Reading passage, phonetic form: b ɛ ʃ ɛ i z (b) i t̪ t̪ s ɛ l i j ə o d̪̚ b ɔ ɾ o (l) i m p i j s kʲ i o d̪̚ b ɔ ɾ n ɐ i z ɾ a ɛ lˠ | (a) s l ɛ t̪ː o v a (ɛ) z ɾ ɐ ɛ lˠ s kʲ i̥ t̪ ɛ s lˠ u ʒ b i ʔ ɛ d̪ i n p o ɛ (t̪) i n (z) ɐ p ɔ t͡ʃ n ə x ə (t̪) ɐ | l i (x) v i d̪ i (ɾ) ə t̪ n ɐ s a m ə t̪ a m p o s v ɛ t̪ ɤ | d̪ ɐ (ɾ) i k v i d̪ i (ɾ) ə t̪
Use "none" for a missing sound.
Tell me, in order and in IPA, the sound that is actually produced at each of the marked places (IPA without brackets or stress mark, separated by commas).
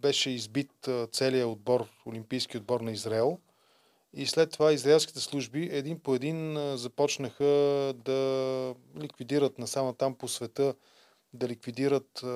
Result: b, l, i, i, d̪, z, d̪, k, ɾ, l, ɾ